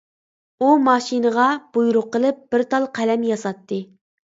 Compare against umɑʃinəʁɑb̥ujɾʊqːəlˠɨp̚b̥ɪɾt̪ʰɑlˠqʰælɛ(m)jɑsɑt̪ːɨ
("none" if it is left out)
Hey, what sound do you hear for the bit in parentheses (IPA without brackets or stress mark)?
m